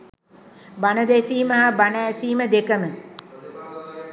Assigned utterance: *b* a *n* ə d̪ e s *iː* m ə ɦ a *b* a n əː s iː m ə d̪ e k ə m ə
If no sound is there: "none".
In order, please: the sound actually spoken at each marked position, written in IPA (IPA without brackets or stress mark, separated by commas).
b, n, iː, b